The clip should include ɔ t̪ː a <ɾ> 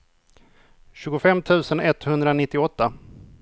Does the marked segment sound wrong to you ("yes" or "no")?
yes